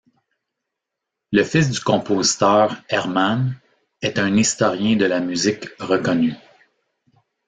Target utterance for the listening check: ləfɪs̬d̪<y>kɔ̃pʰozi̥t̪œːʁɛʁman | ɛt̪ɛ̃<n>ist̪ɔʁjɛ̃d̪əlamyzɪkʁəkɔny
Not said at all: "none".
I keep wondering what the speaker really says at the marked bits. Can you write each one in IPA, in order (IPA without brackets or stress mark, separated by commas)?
y, n